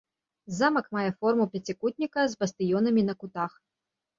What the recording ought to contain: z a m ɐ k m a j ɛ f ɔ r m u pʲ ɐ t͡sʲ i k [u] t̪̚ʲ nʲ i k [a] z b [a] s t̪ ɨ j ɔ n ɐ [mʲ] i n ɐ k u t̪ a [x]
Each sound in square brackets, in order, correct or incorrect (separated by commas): correct, incorrect, incorrect, correct, correct